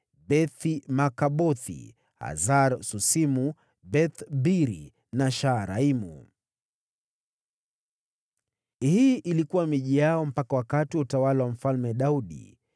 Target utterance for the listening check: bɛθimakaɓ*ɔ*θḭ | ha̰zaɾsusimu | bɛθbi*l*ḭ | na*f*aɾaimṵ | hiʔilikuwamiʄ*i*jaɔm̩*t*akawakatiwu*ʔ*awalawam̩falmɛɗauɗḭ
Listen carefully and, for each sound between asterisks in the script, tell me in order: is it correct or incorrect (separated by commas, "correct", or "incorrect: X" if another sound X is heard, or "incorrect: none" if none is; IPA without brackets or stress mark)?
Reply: correct, incorrect: ɾ, incorrect: ʃ, correct, incorrect: p, incorrect: t